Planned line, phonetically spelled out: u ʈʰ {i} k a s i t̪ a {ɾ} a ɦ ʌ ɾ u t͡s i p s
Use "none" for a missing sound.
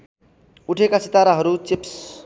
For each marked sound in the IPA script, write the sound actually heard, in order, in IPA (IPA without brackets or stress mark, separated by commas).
e, ɾ